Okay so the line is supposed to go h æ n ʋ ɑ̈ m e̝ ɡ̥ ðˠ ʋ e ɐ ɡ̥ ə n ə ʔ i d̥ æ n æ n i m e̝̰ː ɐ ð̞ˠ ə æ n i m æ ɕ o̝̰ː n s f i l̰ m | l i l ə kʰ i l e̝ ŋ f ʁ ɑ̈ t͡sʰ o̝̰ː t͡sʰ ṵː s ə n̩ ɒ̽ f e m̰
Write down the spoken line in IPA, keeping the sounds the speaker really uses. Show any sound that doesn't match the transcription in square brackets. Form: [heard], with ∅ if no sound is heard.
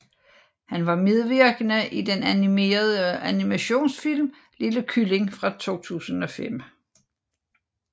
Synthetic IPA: h æ n ʋ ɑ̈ m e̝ [∅] ðˠ ʋ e ɐ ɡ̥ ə n ə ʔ i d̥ [e] n æ n i m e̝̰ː ɐ ð̞ˠ ə æ n i m æ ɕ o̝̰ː n s f i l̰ m | l i l ə kʰ [y] l e̝ ŋ f ʁ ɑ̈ t͡sʰ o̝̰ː t͡sʰ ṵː s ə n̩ ɒ̽ f e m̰